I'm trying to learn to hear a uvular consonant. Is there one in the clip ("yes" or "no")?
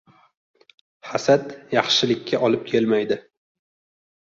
yes